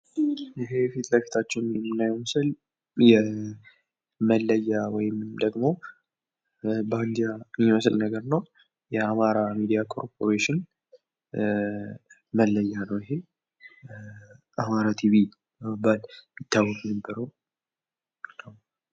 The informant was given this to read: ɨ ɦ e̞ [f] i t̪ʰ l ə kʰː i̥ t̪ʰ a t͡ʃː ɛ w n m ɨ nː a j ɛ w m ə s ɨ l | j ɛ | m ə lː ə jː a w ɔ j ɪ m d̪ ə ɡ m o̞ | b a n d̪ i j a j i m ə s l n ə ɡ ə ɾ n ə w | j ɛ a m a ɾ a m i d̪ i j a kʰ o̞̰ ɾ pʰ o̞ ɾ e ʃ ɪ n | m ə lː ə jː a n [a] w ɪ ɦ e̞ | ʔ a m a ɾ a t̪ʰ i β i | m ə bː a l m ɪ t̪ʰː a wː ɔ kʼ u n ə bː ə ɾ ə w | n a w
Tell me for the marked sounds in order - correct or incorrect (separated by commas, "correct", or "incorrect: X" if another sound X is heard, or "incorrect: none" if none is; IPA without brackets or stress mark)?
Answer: correct, incorrect: ə